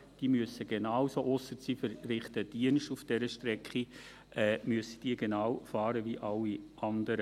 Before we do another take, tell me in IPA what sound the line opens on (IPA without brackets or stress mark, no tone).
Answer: d̥